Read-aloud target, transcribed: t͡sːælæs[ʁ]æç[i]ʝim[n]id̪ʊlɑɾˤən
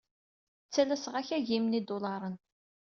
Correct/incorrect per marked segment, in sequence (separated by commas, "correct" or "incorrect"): correct, incorrect, correct